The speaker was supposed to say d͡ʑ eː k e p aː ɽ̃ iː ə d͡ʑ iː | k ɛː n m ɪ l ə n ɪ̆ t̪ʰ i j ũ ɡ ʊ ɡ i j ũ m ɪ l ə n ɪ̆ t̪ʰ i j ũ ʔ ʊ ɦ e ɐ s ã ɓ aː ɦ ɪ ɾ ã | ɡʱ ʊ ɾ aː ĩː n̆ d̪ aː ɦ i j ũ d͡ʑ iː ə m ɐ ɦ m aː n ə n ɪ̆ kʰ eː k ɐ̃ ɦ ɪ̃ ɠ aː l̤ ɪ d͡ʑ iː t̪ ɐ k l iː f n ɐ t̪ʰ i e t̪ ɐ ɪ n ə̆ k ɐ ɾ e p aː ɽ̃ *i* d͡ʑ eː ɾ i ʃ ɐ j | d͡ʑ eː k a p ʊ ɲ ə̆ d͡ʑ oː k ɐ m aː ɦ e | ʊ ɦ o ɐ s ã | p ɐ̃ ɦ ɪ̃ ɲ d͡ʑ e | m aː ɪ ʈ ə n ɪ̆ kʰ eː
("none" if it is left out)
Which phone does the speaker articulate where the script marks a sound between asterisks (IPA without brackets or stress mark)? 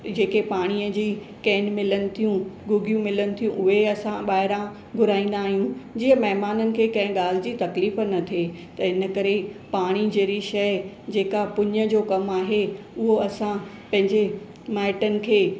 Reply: i